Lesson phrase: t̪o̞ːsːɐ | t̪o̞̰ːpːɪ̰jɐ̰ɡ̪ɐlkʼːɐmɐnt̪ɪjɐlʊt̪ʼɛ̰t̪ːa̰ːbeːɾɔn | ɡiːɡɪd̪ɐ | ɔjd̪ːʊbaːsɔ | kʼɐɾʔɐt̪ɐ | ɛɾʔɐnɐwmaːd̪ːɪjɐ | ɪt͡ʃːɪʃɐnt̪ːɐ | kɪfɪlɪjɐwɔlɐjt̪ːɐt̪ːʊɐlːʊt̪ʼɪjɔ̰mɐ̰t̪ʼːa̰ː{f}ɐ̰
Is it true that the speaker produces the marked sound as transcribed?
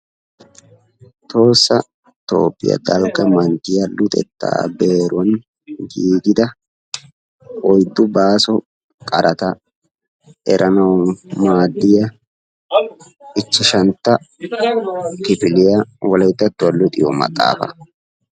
yes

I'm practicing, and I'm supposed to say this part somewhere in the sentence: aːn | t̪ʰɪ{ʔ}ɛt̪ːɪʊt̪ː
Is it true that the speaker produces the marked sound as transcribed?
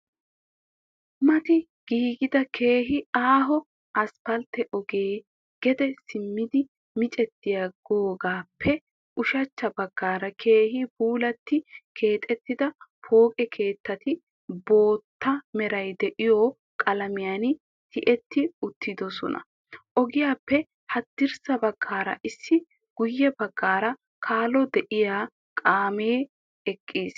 yes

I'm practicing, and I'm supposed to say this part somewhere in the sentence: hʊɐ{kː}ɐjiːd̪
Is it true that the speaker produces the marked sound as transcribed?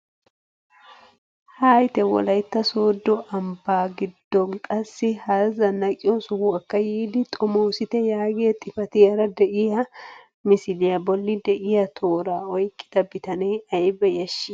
yes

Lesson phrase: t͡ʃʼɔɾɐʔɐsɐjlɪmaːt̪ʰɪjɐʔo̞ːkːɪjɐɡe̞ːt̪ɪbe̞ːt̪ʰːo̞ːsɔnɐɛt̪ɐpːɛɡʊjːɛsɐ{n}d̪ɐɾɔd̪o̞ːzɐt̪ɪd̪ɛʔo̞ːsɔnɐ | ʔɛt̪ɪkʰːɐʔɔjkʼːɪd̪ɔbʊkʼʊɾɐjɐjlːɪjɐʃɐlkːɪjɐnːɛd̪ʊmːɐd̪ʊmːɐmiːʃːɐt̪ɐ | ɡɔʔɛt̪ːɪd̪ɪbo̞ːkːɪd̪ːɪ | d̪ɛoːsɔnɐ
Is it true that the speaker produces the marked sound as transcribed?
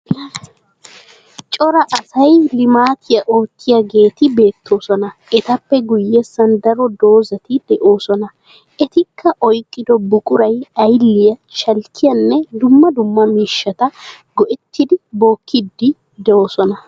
yes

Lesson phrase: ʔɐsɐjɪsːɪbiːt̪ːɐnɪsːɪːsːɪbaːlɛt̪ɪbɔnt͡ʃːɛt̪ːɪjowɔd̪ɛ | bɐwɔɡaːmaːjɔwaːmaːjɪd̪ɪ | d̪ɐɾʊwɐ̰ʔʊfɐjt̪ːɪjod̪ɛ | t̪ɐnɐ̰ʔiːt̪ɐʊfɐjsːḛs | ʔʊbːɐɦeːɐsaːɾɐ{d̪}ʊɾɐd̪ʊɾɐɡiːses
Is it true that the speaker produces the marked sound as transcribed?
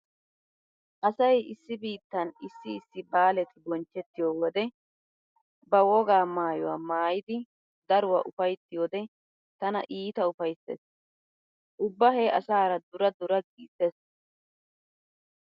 yes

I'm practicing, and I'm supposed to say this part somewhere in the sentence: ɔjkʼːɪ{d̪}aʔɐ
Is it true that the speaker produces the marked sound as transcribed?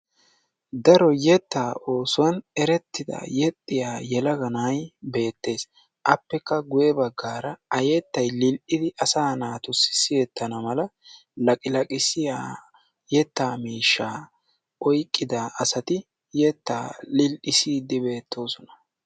yes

